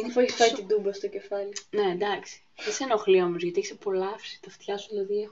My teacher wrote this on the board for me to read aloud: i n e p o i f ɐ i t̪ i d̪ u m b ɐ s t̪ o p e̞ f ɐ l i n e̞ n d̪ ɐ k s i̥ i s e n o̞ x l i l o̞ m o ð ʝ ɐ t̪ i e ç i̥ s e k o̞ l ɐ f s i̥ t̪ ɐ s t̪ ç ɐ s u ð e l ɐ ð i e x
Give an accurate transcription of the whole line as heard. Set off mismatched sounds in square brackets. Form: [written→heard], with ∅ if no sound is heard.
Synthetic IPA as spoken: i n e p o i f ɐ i t̪ i d̪ u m b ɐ s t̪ o [p→c] e̞ f ɐ l i n e̞ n d̪ ɐ k s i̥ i s e n o̞ x l i [l→∅] o̞ m o [ð→z] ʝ ɐ t̪ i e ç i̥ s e [k→p] o̞ l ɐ f s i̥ t̪ ɐ [s→f] t̪ ç ɐ s u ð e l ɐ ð i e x